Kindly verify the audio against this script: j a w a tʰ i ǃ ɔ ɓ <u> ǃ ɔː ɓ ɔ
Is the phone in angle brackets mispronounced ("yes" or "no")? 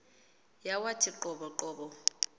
yes